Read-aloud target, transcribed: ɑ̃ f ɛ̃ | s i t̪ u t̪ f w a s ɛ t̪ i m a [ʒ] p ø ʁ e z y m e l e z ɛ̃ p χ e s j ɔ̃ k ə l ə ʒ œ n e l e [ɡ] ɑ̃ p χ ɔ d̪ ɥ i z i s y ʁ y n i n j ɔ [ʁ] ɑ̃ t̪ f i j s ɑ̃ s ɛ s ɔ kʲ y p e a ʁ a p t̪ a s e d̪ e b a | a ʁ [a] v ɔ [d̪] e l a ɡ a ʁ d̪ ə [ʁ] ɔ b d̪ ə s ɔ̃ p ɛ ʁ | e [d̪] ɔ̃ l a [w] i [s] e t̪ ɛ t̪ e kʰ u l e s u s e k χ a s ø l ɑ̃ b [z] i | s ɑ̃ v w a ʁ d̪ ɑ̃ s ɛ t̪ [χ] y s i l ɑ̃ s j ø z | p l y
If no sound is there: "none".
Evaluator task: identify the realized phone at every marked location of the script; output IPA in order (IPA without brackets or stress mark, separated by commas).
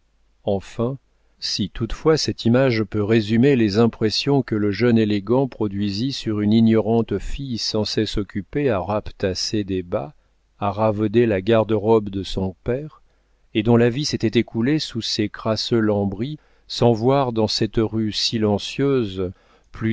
ʒ, ɡ, ʁ, a, d̪, ʁ, d̪, v, s, ʁ, ʁ